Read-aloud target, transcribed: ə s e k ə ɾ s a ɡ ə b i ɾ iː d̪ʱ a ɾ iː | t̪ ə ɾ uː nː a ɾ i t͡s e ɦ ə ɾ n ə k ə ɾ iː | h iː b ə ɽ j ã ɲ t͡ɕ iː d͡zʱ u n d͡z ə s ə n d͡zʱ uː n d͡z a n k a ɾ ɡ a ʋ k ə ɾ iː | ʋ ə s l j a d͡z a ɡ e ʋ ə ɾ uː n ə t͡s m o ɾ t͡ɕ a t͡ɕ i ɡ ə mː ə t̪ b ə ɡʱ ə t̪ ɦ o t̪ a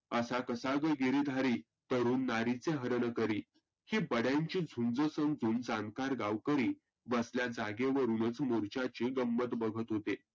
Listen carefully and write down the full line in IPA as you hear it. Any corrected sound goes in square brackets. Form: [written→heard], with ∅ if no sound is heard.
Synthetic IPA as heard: ə s [e→a] k ə [ɾ→∅] s a ɡ ə [b→ɡ] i ɾ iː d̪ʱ a ɾ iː | t̪ ə ɾ uː nː a ɾ i t͡s e ɦ ə ɾ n ə k ə ɾ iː | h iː b ə ɽ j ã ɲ t͡ɕ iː d͡zʱ u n d͡z ə s ə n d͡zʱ uː n d͡z a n k a ɾ ɡ a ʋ k ə ɾ iː | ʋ ə s l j a d͡z a ɡ e ʋ ə ɾ uː n ə t͡s m o ɾ t͡ɕ a t͡ɕ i ɡ ə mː ə t̪ b ə ɡʱ ə t̪ ɦ o t̪ [a→e]